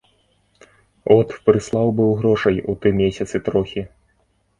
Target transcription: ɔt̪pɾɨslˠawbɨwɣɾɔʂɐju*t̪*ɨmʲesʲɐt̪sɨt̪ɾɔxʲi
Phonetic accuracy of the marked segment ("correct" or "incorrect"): correct